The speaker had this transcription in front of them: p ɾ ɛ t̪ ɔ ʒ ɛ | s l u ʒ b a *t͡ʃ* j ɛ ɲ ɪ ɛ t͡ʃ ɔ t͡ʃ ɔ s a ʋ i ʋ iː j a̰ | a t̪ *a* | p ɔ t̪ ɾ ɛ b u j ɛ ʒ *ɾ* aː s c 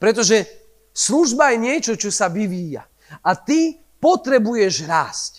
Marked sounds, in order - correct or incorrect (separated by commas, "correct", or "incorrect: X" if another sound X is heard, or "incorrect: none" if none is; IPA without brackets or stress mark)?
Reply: incorrect: none, incorrect: i, correct